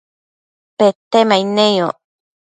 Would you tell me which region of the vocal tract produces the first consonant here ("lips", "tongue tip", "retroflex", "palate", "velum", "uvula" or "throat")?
lips